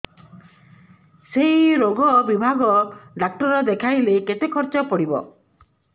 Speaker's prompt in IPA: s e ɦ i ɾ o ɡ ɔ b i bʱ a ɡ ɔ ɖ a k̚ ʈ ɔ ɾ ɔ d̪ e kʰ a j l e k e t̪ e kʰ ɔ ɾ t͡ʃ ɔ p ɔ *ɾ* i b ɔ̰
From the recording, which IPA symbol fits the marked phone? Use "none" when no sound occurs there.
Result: ɽ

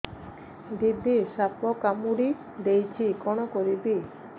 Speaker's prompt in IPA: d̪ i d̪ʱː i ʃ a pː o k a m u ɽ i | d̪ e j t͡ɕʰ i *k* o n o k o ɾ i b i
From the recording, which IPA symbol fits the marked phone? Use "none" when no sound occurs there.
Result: k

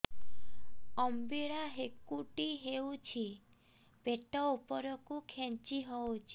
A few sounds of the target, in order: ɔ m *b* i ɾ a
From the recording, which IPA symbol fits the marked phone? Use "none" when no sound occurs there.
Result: b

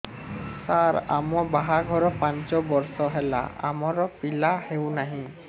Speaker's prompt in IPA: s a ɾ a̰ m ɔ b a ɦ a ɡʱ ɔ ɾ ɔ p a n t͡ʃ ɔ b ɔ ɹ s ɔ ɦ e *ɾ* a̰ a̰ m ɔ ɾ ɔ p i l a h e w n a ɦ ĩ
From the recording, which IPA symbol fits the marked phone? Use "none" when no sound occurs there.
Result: l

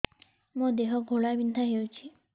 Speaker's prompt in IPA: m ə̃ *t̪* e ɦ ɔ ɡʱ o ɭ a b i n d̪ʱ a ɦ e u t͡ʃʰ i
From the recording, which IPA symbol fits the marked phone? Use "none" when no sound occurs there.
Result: d̪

